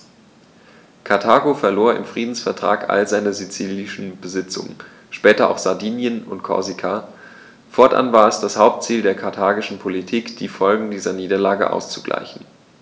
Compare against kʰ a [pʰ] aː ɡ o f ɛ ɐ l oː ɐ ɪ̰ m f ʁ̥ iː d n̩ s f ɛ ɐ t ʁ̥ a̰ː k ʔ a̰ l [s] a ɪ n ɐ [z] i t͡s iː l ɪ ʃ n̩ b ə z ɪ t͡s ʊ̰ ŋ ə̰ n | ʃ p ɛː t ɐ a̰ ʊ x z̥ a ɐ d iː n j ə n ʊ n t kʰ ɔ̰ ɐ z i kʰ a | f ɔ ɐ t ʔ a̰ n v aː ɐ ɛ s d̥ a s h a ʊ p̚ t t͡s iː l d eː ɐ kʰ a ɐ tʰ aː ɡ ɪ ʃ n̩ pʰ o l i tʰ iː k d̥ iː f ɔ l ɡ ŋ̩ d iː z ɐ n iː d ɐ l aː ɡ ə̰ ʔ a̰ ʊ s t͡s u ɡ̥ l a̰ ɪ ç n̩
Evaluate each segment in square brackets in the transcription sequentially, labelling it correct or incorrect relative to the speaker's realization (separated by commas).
incorrect, incorrect, correct